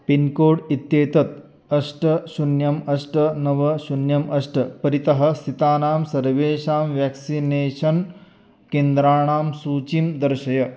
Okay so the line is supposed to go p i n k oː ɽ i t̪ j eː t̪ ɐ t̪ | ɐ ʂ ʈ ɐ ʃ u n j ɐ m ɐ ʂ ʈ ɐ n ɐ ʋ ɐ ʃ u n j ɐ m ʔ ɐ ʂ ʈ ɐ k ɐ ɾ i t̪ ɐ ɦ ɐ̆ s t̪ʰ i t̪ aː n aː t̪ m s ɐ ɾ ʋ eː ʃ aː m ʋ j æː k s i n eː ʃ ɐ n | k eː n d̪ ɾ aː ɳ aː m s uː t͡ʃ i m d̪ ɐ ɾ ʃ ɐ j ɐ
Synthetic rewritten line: p i n k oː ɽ i t̪ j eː t̪ ɐ t̪ | ɐ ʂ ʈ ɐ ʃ u n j ɐ m ɐ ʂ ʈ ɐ n ɐ ʋ ɐ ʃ u n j ɐ m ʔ ɐ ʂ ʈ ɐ p ɐ ɾ i t̪ ɐ ɦ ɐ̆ s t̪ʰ i t̪ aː n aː m s ɐ ɾ ʋ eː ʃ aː m ʋ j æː k s i n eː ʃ ɐ n | k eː n d̪ ɾ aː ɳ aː m s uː t͡ʃ i m d̪ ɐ ɾ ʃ ɐ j ɐ